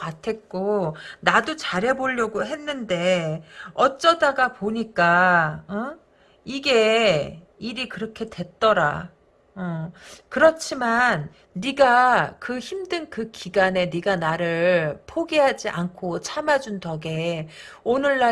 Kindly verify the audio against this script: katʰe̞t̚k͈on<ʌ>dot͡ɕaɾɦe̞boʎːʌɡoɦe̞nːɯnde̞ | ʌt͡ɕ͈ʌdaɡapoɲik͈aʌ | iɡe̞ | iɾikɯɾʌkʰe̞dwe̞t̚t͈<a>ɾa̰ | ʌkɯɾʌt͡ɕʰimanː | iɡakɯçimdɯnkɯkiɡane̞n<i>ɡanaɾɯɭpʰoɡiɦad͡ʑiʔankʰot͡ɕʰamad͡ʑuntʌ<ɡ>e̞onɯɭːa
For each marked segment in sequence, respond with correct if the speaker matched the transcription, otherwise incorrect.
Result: incorrect: a, incorrect: ʌ, correct, correct

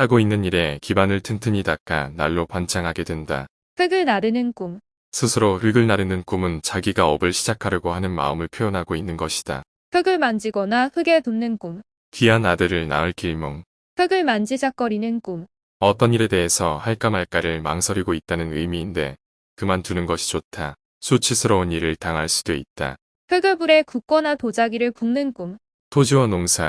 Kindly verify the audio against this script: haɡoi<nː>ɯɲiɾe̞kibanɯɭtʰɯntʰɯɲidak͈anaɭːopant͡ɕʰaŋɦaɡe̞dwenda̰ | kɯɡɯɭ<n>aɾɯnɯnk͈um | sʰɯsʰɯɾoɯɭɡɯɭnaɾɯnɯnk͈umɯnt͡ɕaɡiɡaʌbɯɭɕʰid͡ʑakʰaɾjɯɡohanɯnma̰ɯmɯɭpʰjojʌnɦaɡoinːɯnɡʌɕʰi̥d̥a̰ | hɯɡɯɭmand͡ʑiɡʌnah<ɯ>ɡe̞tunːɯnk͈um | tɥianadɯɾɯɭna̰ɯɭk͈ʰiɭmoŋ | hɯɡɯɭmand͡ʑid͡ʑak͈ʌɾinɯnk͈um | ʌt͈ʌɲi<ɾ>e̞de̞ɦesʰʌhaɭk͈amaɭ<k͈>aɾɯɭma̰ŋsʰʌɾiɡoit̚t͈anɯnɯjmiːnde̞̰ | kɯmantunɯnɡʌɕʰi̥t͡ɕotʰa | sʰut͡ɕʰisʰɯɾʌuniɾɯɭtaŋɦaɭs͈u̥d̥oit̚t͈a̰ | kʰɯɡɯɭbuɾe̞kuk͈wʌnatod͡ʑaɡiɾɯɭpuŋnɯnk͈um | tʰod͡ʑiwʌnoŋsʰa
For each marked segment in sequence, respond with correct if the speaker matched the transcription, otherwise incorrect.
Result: correct, correct, correct, correct, correct

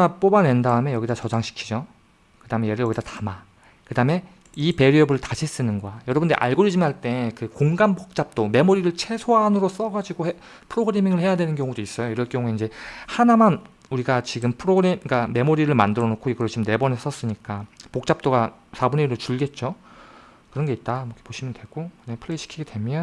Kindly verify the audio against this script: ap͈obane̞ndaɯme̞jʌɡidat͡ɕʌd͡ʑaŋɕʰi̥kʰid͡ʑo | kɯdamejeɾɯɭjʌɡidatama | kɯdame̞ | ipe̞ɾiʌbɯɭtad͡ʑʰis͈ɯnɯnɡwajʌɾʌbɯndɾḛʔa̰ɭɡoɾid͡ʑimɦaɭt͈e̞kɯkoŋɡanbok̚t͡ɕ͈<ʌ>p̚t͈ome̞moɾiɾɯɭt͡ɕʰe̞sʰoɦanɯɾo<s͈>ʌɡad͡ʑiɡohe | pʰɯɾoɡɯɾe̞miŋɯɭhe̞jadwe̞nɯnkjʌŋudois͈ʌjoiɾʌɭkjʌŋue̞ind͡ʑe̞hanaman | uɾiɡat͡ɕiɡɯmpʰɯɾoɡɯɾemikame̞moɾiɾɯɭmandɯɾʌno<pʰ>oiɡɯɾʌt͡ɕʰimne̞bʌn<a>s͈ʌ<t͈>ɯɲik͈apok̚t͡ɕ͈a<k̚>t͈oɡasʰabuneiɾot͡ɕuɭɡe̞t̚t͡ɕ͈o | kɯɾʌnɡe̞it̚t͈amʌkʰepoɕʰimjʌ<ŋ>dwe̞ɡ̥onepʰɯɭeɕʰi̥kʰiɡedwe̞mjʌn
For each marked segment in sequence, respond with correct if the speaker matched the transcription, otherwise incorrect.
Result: incorrect: a, correct, incorrect: kʰ, incorrect: e, incorrect: s͈, incorrect: p̚, incorrect: n

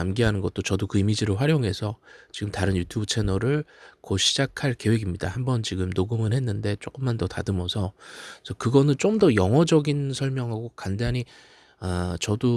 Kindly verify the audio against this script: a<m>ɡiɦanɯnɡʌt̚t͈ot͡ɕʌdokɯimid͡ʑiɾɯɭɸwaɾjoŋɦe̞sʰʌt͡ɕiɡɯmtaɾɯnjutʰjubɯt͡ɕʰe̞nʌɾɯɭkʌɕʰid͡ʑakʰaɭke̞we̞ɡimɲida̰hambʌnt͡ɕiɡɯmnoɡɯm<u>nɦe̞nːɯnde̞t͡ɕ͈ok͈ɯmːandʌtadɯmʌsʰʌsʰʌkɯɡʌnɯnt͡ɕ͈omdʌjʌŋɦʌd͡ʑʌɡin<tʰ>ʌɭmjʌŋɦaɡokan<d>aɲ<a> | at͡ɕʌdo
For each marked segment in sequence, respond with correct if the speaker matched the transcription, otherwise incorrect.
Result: correct, incorrect: ɯ, incorrect: sʰ, correct, incorrect: i

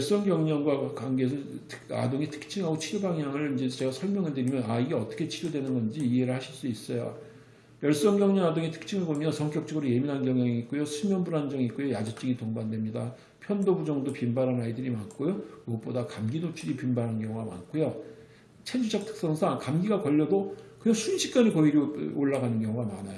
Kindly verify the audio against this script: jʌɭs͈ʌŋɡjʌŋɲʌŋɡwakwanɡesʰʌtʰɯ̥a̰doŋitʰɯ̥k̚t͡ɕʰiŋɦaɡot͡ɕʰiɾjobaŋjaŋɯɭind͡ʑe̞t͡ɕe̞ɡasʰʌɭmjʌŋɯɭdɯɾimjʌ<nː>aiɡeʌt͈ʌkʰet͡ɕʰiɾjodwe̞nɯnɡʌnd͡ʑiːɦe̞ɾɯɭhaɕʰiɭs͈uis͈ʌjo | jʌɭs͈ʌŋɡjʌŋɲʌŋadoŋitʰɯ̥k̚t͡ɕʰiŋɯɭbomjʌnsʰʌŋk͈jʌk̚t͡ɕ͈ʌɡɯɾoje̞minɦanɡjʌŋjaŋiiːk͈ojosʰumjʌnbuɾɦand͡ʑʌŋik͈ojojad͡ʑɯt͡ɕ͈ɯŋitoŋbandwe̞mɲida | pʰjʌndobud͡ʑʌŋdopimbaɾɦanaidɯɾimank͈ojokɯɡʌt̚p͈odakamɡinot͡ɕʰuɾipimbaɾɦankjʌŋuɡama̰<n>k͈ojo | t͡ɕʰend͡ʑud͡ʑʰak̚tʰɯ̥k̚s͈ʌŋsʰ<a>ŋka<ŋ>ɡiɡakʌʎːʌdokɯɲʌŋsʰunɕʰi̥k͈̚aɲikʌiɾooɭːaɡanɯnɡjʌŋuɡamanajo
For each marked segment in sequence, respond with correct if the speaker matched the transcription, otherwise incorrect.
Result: incorrect: n, correct, correct, incorrect: m

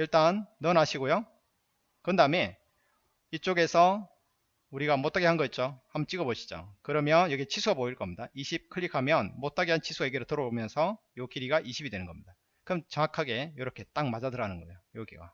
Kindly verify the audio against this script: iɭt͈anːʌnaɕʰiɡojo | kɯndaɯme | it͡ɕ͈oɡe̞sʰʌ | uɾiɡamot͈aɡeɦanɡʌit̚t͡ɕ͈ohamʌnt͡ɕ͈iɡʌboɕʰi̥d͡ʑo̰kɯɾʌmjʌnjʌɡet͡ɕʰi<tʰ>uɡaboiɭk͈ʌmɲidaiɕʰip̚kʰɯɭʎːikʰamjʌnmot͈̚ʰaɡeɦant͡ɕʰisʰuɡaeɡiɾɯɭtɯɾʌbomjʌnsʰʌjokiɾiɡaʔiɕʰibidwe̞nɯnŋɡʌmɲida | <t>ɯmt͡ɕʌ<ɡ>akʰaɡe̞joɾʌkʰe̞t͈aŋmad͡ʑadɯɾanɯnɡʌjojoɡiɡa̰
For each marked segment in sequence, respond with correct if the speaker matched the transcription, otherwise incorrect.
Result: incorrect: sʰ, incorrect: k, incorrect: ŋ

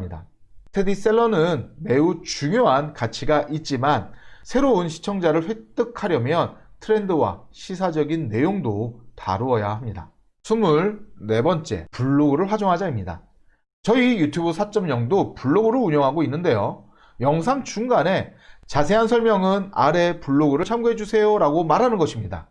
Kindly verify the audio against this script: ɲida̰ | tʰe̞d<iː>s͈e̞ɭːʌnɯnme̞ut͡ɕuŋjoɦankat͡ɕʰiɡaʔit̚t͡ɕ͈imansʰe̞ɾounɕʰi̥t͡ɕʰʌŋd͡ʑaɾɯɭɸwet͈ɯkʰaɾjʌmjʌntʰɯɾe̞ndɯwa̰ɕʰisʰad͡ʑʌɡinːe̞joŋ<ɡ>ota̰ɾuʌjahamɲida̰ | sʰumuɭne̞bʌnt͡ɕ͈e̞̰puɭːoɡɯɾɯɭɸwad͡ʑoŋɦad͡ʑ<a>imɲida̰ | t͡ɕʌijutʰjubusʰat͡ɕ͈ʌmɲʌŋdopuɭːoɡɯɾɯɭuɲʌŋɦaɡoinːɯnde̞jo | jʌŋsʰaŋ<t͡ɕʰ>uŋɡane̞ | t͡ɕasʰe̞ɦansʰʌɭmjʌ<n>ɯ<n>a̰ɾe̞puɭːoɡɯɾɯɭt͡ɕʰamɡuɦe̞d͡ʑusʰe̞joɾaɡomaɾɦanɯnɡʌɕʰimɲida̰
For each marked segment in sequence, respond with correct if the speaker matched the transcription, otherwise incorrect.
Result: incorrect: i, incorrect: d, correct, incorrect: t͡ɕ, incorrect: ŋ, correct

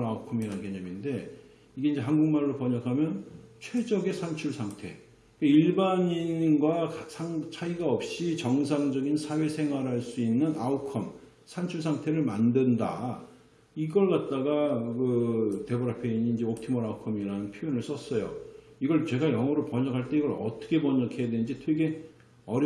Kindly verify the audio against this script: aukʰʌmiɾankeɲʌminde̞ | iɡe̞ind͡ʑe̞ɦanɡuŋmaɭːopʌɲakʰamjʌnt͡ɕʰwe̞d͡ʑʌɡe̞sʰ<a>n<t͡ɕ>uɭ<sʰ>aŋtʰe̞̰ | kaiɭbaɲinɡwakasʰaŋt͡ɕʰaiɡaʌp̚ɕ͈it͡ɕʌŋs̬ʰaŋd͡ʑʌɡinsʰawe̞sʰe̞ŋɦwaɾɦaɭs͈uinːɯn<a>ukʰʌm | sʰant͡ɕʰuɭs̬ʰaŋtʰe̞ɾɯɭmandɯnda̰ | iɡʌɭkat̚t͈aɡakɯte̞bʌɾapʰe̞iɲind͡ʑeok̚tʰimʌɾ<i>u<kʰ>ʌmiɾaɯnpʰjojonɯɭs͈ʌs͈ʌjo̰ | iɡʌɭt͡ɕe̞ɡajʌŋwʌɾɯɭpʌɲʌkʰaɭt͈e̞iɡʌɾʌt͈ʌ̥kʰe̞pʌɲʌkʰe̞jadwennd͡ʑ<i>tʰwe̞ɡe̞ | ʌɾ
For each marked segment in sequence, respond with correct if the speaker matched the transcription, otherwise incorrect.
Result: correct, incorrect: t͡ɕʰ, correct, correct, incorrect: a, correct, correct

